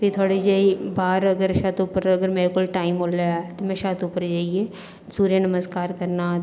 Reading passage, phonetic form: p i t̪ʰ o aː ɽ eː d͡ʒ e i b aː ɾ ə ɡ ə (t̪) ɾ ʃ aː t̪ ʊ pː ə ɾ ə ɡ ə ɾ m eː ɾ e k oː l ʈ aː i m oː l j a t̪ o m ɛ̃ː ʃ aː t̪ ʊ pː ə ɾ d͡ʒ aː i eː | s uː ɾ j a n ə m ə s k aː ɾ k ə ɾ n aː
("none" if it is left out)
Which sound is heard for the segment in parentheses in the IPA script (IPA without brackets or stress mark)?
none